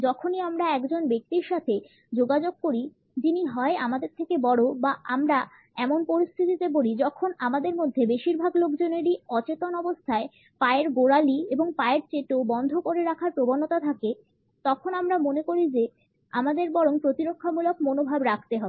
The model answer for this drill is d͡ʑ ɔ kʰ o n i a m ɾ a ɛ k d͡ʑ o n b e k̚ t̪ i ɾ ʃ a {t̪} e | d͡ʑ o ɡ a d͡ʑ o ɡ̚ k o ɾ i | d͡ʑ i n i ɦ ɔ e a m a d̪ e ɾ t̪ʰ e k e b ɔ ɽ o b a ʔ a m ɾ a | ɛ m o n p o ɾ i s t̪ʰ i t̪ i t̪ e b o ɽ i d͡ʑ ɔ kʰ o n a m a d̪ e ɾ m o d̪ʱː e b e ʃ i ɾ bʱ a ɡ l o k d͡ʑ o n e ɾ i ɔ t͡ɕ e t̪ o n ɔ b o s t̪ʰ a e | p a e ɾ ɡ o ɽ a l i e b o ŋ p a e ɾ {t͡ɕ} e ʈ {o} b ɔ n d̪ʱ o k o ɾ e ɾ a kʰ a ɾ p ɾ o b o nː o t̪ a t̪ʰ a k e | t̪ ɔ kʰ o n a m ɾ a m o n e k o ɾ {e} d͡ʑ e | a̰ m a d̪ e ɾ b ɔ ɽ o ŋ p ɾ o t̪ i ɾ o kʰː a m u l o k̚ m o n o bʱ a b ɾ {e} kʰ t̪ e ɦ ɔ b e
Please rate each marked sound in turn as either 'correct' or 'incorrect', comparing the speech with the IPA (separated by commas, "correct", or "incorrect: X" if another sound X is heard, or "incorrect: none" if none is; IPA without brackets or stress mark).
incorrect: t̪ʰ, correct, correct, incorrect: i, incorrect: a